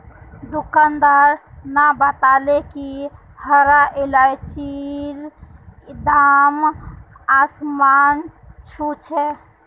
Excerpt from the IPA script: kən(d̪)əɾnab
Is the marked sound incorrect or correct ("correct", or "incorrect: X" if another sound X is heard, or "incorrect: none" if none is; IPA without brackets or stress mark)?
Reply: correct